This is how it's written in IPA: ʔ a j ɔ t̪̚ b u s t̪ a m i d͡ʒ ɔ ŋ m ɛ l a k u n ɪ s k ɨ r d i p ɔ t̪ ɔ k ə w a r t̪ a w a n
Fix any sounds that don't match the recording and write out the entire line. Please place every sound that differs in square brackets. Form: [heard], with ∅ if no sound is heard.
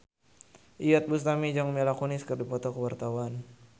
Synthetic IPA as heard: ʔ [i] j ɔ t̪̚ b u s t̪ a m i d͡ʒ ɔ ŋ m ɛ l a k u n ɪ s k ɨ r d i p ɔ t̪ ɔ k ə w a r t̪ a w a n

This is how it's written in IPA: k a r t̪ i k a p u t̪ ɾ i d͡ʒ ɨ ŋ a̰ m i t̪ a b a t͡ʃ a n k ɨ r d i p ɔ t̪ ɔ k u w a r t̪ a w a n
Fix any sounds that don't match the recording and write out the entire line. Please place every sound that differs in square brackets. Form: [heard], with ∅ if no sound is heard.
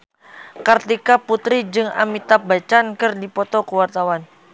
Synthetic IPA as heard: k a r t̪ i k a p u t̪ ɾ i d͡ʒ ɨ ŋ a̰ m i t̪ a b a t͡ʃ a n k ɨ r d i p ɔ t̪ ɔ k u w a r t̪ a w a n

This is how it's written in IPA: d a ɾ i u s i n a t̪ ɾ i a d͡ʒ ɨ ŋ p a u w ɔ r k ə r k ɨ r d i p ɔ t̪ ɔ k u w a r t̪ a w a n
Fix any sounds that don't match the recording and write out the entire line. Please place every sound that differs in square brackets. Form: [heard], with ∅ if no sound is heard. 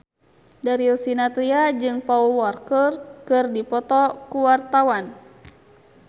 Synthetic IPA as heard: d a ɾ i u s i n a t̪ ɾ i a d͡ʒ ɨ ŋ p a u w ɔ r k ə r k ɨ r d i p ɔ t̪ ɔ k u w a r t̪ a w a n

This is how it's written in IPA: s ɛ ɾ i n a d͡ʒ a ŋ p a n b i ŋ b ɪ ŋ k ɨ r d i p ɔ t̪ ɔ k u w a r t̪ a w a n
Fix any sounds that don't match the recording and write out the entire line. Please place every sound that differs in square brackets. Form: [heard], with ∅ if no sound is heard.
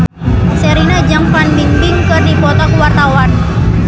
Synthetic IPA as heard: s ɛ ɾ i n a d͡ʒ a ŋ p a n b i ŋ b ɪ ŋ k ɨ r d i p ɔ t̪ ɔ k u w a r t̪ a w a n

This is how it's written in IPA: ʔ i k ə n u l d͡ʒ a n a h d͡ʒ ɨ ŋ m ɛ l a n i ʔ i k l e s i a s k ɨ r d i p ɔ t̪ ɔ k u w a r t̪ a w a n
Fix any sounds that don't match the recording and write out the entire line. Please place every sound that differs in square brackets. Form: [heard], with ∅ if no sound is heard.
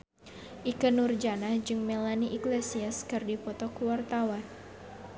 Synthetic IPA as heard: ʔ i k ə n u [r] d͡ʒ a n a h d͡ʒ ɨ ŋ m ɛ l a n i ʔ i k l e s i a s k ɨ r d i p ɔ t̪ ɔ k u w a r t̪ a w a n

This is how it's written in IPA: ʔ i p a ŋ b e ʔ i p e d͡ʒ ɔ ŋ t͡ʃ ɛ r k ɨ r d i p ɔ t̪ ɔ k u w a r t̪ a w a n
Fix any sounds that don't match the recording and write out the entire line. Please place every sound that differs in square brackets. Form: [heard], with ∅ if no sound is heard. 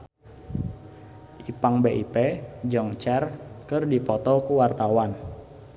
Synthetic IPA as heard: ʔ i p a ŋ b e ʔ i p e d͡ʒ ɔ ŋ t͡ʃ ɛ r k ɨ r d i p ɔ t̪ ɔ k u w a r t̪ a w a n

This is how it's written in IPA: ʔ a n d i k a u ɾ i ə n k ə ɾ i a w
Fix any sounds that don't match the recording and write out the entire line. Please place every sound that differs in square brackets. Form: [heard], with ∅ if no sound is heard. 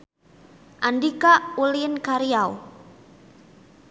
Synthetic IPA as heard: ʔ a n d i k a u [l] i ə n k [a] ɾ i a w

